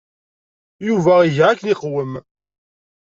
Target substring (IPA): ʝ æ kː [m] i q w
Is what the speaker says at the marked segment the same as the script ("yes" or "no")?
no